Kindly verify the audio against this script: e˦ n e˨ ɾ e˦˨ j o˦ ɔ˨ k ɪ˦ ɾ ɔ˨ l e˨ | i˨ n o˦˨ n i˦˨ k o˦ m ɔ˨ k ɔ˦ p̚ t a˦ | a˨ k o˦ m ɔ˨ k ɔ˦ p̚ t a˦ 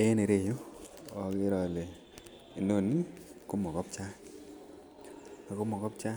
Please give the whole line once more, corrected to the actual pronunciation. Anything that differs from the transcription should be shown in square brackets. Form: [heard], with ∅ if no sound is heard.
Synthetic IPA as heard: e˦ n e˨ ɾ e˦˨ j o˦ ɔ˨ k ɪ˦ ɾ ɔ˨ l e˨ | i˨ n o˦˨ n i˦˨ k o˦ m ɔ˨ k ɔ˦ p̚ [t͡ʃ] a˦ | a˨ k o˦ m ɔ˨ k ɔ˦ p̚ [t͡ʃ] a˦